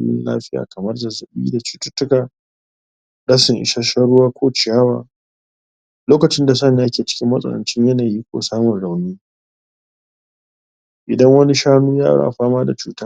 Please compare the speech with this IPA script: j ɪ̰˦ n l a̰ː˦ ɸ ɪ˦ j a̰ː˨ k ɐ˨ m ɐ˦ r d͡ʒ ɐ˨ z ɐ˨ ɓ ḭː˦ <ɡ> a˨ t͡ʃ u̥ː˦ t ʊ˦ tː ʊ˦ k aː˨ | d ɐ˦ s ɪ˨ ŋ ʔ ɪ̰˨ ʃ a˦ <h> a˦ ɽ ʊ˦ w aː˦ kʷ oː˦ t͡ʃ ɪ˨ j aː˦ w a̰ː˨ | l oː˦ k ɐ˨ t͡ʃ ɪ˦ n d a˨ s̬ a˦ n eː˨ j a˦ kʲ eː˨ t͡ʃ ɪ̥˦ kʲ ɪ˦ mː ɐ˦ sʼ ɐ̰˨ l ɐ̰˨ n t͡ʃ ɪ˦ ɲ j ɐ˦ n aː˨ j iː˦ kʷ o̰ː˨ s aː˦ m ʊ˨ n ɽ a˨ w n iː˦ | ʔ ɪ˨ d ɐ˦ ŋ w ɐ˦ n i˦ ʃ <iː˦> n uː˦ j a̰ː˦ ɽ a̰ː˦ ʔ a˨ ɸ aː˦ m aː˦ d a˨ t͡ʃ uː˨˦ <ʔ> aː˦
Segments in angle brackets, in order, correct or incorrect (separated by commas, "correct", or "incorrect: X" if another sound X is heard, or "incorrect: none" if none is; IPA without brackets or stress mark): incorrect: d, incorrect: ʃ, incorrect: aː˦, incorrect: t